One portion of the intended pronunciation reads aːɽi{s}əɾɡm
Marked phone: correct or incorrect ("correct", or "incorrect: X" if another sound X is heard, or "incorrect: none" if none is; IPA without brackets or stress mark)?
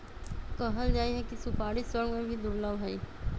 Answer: correct